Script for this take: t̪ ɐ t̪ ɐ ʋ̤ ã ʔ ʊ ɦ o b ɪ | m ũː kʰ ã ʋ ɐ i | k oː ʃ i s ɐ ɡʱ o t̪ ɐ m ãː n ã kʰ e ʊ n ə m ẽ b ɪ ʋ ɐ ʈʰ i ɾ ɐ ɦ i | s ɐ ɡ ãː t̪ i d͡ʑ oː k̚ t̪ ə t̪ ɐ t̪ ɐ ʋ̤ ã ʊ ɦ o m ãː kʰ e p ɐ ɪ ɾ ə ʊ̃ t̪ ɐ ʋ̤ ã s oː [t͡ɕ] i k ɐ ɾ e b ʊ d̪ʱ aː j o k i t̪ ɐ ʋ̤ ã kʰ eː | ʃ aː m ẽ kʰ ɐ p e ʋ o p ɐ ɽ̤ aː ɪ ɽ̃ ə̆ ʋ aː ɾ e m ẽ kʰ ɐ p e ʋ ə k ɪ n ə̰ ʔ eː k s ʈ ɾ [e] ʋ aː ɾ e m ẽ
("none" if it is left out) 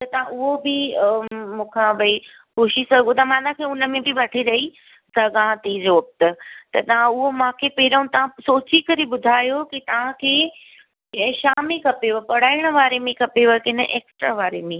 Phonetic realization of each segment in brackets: t͡ɕ, a

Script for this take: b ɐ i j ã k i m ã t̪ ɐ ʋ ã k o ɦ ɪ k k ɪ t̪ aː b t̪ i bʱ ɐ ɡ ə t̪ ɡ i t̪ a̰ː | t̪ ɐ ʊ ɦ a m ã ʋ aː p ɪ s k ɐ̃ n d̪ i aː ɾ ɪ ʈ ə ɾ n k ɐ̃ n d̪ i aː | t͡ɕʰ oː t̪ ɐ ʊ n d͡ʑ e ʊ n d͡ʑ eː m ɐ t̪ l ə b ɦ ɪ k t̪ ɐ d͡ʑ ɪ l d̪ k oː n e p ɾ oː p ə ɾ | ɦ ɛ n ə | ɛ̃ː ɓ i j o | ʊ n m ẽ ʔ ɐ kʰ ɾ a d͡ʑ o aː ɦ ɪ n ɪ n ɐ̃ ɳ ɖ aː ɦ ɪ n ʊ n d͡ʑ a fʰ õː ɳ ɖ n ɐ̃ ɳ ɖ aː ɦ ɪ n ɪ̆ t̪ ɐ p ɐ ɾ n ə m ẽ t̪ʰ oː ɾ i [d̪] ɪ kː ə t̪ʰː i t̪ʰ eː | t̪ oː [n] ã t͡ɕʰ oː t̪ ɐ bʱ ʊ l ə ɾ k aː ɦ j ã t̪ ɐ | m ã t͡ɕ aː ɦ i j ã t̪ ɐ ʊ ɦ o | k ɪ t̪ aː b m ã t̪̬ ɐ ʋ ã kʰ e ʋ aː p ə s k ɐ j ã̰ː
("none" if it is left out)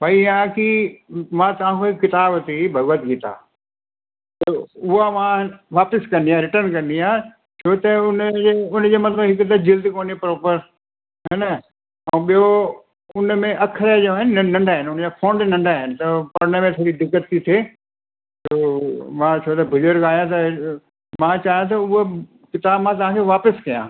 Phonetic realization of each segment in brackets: d̪, m

